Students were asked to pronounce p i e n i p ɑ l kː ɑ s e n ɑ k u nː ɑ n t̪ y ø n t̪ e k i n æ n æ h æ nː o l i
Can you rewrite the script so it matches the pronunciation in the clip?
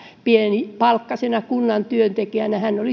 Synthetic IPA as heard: p i e n i p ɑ l kː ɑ s e n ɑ k u nː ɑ n t̪ y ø n t̪ e k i æ n æ h æ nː o l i